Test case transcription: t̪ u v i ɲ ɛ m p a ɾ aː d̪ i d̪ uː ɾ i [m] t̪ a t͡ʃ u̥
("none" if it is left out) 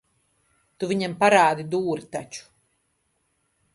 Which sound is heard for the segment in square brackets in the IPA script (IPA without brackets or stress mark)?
none